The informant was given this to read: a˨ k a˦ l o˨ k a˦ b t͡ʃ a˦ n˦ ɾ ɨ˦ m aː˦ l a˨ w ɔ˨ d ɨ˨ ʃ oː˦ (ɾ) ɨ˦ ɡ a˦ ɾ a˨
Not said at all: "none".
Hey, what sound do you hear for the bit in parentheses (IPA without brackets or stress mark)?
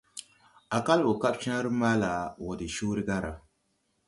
ɾ